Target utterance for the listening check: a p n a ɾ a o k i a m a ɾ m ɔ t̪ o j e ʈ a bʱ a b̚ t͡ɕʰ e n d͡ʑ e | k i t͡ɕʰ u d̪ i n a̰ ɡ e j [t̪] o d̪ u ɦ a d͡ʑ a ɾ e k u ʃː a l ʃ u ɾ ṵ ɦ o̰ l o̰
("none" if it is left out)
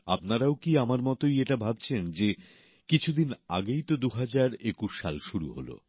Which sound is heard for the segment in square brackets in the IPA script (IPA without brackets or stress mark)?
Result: t̪